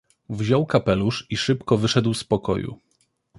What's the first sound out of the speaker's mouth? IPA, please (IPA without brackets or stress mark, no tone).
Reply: v